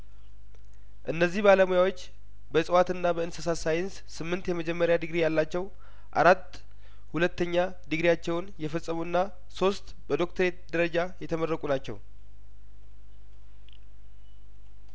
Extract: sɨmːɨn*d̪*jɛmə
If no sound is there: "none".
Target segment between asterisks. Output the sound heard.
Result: t̪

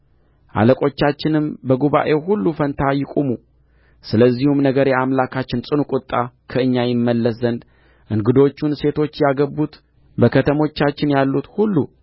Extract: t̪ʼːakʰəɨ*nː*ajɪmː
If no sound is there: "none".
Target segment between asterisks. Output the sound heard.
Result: ɲː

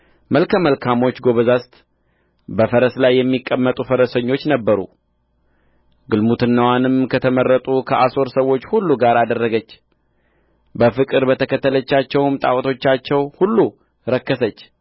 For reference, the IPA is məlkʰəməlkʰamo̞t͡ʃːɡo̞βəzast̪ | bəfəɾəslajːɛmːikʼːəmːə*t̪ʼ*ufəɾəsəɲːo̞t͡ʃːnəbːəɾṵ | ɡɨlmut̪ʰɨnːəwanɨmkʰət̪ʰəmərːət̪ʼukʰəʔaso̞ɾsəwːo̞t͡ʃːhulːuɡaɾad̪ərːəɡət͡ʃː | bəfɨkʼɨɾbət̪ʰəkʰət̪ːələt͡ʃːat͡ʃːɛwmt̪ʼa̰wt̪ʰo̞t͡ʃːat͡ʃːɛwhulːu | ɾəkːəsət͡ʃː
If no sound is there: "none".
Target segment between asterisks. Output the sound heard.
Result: t̪ʼ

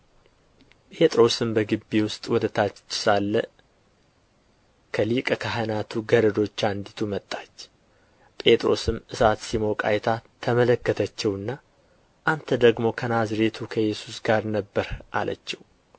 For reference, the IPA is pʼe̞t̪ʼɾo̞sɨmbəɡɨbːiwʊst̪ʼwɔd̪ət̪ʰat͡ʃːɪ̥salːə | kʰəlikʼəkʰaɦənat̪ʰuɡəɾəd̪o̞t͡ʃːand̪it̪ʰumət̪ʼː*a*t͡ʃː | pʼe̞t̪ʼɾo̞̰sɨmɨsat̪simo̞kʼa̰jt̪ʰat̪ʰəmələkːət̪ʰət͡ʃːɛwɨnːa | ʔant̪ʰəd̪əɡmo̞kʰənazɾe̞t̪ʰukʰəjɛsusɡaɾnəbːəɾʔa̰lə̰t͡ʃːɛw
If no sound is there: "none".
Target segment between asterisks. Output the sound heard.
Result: a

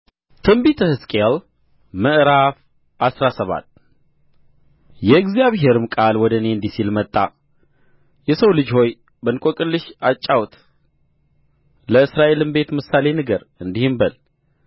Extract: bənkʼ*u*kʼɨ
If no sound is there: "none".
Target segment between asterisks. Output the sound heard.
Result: o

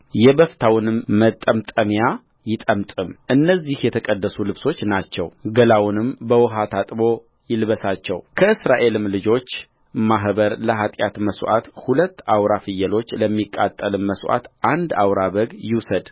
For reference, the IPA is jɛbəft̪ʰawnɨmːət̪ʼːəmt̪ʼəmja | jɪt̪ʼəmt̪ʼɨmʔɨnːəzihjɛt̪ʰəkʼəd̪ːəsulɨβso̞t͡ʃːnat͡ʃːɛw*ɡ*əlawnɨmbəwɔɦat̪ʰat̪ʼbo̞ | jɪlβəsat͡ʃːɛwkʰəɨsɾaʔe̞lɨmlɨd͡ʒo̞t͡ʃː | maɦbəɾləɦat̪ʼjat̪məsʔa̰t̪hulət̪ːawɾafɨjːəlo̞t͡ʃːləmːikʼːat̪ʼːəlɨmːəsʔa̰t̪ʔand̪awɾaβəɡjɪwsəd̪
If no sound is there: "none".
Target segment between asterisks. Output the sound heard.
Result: ɡ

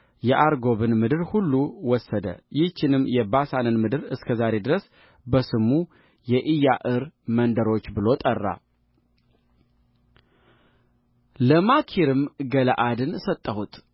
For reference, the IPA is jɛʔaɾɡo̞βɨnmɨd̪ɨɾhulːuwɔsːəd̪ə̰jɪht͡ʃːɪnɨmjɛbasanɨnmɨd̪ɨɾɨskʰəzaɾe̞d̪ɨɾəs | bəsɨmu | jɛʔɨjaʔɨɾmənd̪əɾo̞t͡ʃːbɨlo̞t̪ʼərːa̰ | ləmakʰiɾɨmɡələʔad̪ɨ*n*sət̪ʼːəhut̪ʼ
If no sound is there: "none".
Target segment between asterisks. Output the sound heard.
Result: n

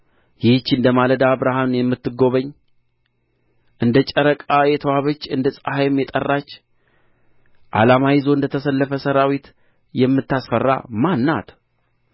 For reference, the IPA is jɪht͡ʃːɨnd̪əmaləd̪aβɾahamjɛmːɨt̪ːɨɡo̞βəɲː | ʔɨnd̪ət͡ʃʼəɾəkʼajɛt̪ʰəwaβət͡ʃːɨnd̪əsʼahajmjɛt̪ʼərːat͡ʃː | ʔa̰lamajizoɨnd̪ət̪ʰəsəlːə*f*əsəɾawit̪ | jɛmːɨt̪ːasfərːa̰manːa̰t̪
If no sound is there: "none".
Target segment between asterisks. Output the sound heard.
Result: f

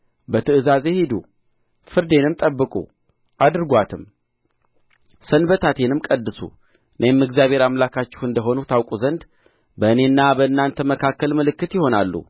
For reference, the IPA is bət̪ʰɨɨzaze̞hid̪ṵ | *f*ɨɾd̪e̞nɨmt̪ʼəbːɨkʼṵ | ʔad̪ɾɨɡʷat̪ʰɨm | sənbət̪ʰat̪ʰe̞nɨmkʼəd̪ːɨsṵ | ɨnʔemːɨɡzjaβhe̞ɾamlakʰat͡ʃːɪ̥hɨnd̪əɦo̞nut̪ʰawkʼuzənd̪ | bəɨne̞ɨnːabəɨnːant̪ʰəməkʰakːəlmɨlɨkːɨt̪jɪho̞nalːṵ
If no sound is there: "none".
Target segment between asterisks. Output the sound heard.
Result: f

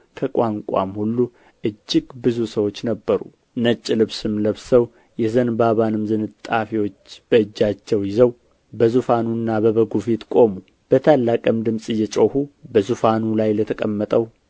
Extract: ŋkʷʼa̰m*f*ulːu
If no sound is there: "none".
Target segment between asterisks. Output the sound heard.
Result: h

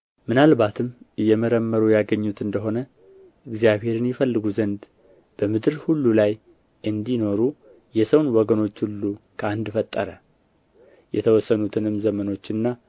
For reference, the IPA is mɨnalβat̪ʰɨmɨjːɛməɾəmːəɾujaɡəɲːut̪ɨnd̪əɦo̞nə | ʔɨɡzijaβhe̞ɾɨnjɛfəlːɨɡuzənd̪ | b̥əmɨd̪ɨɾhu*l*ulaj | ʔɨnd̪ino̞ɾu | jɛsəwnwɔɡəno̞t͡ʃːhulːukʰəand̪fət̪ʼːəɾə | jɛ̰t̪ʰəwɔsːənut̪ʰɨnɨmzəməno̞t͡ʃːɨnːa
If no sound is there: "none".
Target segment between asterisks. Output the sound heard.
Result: lː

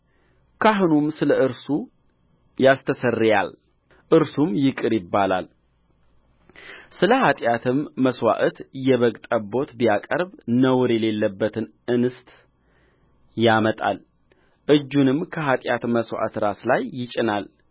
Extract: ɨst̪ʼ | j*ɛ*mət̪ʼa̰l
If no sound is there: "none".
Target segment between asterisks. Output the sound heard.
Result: a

